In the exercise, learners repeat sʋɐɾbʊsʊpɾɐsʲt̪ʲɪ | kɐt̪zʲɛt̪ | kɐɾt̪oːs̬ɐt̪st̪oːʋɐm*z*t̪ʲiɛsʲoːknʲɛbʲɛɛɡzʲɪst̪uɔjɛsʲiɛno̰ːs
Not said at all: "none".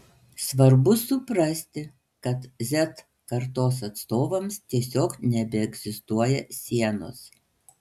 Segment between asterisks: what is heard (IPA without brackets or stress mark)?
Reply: s